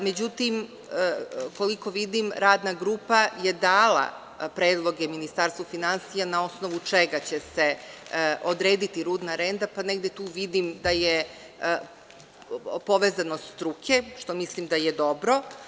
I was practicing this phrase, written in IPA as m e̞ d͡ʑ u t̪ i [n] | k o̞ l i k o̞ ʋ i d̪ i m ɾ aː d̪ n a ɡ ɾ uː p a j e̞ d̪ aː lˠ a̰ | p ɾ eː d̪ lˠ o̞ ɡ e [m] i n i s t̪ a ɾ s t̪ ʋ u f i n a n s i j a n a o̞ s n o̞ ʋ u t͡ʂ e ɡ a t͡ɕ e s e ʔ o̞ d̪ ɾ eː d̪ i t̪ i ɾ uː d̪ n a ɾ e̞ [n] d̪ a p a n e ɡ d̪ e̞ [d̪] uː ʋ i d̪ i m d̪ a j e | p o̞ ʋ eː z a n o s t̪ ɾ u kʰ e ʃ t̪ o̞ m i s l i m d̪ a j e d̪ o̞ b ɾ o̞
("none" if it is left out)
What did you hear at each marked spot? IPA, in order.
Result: m, m, n, t̪

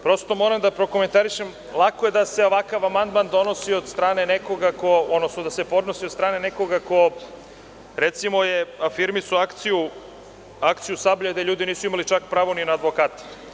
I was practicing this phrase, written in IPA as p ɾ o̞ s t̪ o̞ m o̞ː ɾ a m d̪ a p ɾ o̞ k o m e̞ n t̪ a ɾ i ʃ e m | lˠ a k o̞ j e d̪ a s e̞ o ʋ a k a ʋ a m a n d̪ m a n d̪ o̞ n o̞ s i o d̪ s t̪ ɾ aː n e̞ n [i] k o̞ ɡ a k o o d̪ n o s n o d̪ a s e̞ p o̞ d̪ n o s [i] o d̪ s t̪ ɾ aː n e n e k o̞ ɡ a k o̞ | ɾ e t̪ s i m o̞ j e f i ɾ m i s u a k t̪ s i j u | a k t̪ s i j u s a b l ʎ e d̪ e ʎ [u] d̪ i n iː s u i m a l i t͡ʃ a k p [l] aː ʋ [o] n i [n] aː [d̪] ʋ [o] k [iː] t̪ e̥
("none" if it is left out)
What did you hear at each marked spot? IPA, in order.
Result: e, i, uː, ɾ, o, n, d̪, o, aː

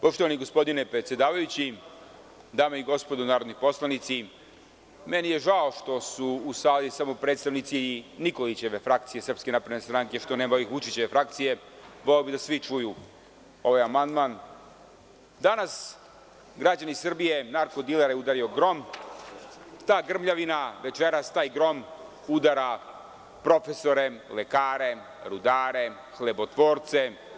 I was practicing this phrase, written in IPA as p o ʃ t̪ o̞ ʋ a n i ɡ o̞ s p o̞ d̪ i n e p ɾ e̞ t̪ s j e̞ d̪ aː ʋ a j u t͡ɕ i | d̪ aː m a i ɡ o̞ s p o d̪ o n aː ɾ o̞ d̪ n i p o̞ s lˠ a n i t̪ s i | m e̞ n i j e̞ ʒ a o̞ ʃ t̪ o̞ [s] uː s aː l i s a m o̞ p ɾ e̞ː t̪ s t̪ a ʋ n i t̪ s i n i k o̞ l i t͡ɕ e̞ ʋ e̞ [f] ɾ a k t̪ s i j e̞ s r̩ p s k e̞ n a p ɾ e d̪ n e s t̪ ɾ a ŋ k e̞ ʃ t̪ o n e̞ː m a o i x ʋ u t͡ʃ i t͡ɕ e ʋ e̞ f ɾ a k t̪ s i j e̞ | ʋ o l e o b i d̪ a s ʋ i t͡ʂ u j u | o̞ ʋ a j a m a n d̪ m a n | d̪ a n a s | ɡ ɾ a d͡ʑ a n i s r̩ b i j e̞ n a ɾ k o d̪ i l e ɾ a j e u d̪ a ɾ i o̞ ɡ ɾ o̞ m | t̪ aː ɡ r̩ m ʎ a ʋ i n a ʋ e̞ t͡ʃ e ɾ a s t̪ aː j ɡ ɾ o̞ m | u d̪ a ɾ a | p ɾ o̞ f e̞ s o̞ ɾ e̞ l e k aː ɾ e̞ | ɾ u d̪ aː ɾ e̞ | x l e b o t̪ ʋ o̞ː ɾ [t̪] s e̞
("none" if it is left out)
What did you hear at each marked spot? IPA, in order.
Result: s, f, t̪

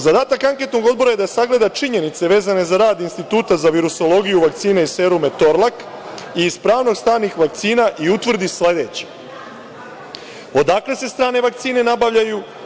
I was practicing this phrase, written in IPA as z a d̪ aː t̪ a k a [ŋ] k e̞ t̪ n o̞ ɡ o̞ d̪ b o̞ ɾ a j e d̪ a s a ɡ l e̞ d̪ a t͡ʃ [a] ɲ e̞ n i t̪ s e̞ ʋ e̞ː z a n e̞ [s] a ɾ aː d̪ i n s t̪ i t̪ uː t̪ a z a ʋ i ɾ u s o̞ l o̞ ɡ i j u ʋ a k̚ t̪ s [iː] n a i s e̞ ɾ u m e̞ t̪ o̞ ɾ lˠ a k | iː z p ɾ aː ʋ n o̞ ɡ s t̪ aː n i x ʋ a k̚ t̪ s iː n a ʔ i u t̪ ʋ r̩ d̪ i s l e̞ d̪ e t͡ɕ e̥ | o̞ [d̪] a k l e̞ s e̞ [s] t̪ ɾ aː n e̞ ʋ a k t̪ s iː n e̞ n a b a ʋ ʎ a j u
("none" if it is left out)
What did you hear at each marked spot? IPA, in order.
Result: ŋ, i, z, iː, d̪, s

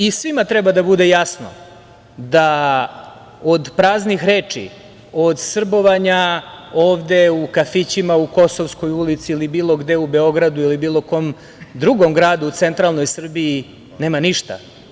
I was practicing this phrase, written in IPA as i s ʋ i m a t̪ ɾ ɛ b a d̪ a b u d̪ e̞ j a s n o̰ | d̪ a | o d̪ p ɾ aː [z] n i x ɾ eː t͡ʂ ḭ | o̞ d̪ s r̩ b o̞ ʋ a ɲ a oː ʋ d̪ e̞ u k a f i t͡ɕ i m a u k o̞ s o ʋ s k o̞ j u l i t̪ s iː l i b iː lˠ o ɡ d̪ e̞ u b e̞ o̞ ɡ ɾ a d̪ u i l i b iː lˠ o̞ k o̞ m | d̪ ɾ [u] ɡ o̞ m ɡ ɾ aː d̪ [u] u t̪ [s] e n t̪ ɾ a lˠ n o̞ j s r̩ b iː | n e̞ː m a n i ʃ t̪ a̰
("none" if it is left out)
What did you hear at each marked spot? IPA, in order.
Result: z, u, u, s

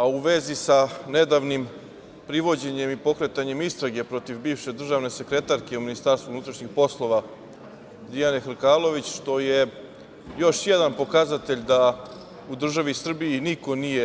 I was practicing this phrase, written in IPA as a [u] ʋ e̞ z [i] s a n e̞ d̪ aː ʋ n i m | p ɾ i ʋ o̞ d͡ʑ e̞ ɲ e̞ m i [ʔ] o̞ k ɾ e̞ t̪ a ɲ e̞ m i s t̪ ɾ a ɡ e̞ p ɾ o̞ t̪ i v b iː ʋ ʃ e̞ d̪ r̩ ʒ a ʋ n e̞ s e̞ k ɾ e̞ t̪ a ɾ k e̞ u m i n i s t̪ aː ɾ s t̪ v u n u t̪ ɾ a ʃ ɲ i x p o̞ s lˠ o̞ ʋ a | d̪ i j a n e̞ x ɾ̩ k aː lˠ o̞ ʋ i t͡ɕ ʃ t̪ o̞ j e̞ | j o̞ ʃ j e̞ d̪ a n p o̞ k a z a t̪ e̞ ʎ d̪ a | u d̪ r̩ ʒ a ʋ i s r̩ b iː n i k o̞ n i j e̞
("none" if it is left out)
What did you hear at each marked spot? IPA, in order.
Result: u, i, p

